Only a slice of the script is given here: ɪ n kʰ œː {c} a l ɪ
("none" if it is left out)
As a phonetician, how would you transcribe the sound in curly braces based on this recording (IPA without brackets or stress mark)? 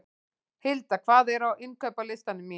p